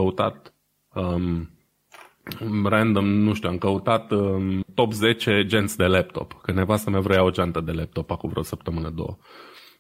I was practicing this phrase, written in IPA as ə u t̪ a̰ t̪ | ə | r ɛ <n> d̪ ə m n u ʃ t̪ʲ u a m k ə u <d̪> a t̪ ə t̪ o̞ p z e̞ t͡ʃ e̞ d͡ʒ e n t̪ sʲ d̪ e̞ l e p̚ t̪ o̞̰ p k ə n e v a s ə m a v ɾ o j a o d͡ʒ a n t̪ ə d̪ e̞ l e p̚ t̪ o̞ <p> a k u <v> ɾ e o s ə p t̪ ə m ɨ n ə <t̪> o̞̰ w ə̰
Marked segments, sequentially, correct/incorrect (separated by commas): correct, incorrect, correct, correct, incorrect